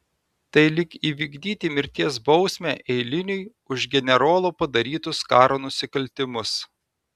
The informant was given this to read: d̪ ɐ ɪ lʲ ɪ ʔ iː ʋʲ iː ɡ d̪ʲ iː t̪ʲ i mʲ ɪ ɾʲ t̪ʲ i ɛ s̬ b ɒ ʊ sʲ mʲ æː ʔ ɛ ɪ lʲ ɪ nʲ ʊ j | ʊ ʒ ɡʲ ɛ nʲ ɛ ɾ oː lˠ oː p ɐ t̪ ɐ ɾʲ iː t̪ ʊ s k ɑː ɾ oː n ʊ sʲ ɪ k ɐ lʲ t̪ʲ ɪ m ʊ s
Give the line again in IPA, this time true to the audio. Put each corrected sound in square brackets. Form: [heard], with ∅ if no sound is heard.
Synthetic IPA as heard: [t̪] ɐ ɪ lʲ ɪ [k] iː ʋʲ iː ɡ d̪ʲ iː t̪ʲ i mʲ ɪ ɾʲ t̪ʲ i ɛ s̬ b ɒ ʊ sʲ mʲ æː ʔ ɛ ɪ lʲ ɪ nʲ ʊ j | ʊ ʒ ɡʲ ɛ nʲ ɛ ɾ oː lˠ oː p ɐ [d̪] ɐ ɾʲ iː t̪ ʊ s k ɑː ɾ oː n ʊ sʲ ɪ k ɐ lʲ t̪ʲ ɪ m ʊ s